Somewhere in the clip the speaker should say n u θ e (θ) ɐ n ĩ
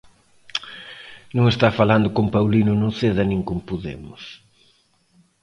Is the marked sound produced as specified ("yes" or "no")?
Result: no